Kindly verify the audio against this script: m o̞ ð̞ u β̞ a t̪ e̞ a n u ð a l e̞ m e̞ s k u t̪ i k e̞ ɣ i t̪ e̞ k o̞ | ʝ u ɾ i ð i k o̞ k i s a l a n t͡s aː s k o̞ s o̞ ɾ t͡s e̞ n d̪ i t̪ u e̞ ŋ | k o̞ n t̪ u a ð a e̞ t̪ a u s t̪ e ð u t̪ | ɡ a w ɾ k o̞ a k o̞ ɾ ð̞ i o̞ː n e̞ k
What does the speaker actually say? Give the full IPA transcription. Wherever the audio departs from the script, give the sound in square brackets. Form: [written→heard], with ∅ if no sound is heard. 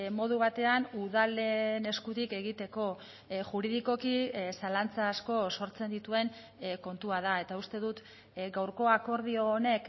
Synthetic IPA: m o̞ ð̞ u β̞ a t̪ e̞ a n u ð a l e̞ [m→n] e̞ s k u t̪ i k e̞ ɣ i t̪ e̞ k o̞ | ʝ u ɾ i ð i k o̞ k i s a l a n t͡s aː s k o̞ s o̞ ɾ t͡s e̞ n d̪ i t̪ u e̞ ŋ | k o̞ n t̪ u a ð a e̞ t̪ a u s t̪ e ð u t̪ | ɡ a w ɾ k o̞ a k o̞ ɾ ð̞ i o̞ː n e̞ k